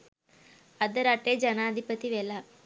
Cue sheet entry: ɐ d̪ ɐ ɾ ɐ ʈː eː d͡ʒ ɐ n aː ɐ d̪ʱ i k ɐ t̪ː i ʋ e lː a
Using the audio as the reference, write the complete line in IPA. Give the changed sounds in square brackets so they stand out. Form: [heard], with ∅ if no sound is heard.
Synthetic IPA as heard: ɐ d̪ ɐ ɾ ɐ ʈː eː d͡ʒ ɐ n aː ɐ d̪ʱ i [p] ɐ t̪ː i ʋ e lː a